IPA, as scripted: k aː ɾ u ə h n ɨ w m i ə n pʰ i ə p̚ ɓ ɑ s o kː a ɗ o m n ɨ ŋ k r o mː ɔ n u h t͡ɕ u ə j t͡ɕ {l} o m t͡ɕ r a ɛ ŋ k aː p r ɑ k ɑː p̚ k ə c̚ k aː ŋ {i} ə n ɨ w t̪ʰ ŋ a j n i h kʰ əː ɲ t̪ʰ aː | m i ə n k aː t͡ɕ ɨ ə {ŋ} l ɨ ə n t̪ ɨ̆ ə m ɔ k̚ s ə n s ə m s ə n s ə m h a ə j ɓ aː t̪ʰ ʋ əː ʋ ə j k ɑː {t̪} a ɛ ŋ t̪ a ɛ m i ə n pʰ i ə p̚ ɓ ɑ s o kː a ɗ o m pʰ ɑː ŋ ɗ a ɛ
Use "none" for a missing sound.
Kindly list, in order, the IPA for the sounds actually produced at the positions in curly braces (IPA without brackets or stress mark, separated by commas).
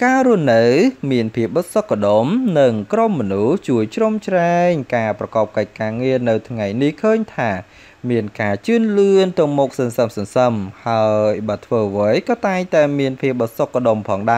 r, i, n, t̪